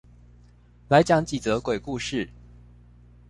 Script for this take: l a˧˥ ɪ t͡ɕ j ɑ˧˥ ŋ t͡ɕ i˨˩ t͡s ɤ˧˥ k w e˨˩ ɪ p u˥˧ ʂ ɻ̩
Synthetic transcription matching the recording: l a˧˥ ɪ t͡ɕ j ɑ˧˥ ŋ t͡ɕ i˨˩ t͡s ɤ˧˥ k w e˨˩ ɪ k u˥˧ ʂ ɻ̩